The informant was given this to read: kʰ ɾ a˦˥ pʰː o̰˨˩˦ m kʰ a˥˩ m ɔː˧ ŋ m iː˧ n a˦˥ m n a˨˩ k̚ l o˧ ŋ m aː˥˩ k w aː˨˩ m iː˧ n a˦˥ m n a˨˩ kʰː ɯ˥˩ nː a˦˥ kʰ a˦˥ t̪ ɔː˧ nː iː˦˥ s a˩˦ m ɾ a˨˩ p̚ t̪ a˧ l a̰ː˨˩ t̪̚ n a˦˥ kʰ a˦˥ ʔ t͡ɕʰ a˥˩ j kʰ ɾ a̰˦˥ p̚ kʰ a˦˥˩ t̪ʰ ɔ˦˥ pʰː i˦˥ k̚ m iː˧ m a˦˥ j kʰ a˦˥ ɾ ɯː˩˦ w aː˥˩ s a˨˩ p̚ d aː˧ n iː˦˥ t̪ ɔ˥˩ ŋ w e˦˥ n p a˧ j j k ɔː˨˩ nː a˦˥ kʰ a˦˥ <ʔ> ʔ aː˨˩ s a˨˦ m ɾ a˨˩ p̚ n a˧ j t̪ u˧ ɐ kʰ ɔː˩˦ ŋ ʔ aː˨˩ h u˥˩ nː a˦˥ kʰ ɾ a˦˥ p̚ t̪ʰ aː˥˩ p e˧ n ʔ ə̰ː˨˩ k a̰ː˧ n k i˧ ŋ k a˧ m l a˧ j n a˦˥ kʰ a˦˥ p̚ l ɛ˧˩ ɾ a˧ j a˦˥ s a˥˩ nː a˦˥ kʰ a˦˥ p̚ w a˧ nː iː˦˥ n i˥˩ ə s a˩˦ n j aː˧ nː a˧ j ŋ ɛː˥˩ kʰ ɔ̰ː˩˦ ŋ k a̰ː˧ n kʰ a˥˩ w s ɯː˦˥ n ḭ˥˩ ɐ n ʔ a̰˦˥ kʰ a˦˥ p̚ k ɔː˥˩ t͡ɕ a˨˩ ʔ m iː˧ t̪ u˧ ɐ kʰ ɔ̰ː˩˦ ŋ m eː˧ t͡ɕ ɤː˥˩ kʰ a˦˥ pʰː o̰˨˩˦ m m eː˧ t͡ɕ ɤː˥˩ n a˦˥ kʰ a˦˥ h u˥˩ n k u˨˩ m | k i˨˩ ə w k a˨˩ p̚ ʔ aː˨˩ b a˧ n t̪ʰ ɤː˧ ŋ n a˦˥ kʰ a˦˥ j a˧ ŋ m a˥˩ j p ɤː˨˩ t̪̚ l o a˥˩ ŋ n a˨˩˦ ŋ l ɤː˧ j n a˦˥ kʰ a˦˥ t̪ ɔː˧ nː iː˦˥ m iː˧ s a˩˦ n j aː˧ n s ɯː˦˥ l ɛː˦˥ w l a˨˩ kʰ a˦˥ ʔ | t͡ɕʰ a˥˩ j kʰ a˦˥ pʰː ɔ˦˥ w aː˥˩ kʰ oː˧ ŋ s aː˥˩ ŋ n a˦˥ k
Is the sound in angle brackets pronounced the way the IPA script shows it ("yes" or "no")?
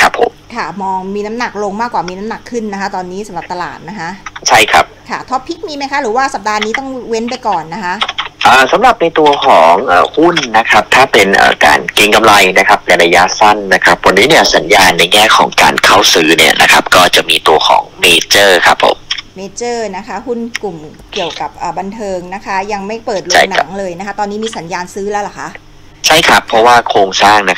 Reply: yes